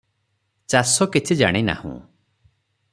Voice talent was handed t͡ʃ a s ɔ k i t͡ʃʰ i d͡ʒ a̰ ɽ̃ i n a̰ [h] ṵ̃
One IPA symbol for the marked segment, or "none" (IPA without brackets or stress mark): h